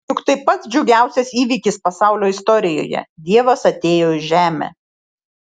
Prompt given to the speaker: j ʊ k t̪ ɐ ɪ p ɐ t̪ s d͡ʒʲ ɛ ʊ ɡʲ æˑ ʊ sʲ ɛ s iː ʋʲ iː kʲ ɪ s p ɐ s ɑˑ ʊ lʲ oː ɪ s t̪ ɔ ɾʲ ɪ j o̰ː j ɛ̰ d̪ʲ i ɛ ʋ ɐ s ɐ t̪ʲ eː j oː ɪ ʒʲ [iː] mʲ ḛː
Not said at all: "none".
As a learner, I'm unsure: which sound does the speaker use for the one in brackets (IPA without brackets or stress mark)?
æː